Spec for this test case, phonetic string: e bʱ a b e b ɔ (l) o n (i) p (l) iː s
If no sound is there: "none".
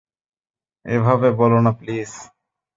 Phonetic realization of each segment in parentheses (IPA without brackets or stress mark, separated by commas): l, a, l